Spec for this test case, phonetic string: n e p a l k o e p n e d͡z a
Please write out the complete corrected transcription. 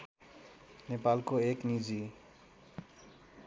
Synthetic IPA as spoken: n e p a l k o e k n i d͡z i